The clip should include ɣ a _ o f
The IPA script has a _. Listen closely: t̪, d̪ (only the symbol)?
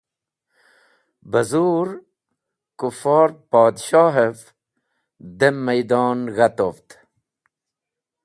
t̪